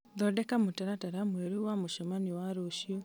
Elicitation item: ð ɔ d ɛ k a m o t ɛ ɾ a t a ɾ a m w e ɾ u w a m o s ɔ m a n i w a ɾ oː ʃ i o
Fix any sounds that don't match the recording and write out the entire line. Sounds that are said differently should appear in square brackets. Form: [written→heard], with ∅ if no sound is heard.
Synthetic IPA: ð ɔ d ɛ k a m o t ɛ ɾ a t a ɾ a m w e ɾ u w a m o [s→ʃ] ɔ m a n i w a ɾ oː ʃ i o